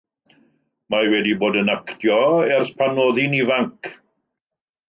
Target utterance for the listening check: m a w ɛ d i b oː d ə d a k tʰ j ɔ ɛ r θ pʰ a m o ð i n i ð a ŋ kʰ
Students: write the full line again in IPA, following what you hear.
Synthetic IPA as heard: m a w ɛ d i b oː d ə n a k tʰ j ɔ ɛ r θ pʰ a n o ð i n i v a ŋ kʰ